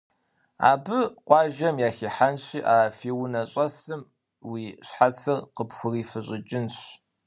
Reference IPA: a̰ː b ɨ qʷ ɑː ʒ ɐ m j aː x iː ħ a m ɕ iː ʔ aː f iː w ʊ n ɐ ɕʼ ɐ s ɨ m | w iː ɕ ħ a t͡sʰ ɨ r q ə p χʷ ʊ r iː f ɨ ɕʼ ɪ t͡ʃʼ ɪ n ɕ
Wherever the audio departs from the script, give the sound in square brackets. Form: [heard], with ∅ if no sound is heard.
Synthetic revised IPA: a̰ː b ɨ qʷ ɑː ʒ ɐ m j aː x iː ħ a [n] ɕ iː ʔ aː f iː w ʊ n ɐ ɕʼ ɐ s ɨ m | w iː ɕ ħ a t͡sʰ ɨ r q ə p [xʷ] ʊ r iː f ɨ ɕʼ ɪ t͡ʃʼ ɪ n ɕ